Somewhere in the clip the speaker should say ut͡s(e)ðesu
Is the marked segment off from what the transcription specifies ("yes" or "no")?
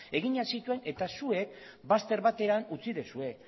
yes